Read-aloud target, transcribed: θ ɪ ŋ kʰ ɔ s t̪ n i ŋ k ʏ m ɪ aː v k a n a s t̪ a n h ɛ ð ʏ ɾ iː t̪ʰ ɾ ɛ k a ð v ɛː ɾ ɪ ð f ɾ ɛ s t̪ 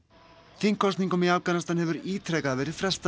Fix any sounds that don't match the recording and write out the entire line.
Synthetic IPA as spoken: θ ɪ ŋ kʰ ɔ s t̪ n i ŋ k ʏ m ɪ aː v k a n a s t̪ a n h ɛ v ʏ ɾ iː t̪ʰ ɾ ɛ k a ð v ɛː ɾ ɪ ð f ɾ ɛ s t̪

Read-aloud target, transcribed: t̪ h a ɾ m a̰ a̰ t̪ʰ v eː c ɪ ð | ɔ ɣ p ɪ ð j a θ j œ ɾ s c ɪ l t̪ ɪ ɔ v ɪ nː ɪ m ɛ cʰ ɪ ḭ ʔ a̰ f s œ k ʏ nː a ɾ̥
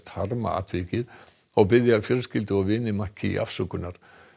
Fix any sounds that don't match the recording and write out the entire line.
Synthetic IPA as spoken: t̪ h a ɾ m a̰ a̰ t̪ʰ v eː c ɪ ð | ɔ ɣ p ɪ ð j a f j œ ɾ s c ɪ l t̪ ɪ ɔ v ɪ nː ɪ m a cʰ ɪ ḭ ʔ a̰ f s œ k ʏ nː a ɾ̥

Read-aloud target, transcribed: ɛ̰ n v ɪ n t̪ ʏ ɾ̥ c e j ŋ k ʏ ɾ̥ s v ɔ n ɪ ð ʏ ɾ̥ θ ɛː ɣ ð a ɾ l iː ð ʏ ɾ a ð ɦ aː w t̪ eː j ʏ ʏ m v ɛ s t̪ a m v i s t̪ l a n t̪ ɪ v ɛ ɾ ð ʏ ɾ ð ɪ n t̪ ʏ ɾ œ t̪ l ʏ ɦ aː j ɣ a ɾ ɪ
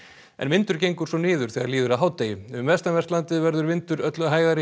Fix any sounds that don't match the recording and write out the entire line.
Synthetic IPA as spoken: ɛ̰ n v ɪ n t̪ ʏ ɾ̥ c e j ŋ k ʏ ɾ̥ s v ɔ n ɪː ð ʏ ɾ̥ θ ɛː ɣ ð a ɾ l iː ð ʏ ɾ a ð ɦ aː w t̪ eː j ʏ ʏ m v ɛ s t̪ a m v ɛ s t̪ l a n t̪ ɪ v ɛ ɾ ð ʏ ɾ v ɪ n t̪ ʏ ɾ œ t̪ l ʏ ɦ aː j ɣ a ɾ ɪ

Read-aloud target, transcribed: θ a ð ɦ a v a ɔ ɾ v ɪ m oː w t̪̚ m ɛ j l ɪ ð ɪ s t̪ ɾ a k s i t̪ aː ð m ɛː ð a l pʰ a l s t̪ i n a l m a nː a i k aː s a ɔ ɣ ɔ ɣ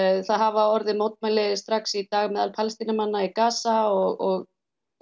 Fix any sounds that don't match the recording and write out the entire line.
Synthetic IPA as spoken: θ a ð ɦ a v a ɔ ɾ ð ɪ m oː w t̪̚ m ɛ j l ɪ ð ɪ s t̪ ɾ a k s i t̪ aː ɣ m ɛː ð a l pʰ a l s t̪ i n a m a nː a i k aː s a ɔ ɣ ɔ ɣ

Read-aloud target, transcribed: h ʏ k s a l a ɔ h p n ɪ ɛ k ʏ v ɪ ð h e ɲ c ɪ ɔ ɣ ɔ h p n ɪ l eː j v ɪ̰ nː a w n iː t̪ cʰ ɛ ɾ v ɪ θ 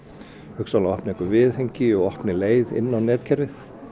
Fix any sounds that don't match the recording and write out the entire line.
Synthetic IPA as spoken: h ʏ k s a l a ɔ h p n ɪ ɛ k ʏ v ɪ ð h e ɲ c ɪ ɔ ɣ ɔ h p n ɪ l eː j ð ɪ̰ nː a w n ɛː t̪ cʰ ɛ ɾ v ɪ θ

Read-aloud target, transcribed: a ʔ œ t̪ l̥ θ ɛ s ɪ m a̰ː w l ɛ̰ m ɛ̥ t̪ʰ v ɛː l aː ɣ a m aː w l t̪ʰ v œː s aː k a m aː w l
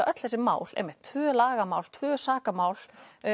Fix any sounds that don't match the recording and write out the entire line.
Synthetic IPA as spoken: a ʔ œ t̪ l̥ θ ɛ s ɪ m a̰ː w l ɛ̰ m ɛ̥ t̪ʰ v œː l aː ɣ a m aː w l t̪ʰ v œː s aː k a m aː w l

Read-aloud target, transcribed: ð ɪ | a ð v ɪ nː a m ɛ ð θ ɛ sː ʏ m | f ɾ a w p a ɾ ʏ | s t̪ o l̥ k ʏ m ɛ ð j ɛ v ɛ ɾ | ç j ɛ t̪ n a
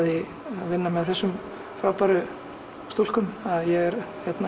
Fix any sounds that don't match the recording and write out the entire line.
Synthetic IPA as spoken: ð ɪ | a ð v ɪ nː a m ɛ ð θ ɛ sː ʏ m | f ɾ a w p a ɾ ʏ | s t̪ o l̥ k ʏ m a ð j ɛ ɣ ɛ ɾ | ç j ɛ t̪ n a

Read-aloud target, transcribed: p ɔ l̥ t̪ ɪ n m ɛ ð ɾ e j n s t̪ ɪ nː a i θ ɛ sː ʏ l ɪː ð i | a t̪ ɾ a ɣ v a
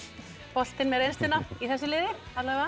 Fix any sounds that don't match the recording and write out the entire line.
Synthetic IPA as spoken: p ɔ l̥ t̪ ɪ n m ɛ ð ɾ e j n s t̪ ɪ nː a i θ ɛ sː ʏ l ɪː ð ɪ | a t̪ l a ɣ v a

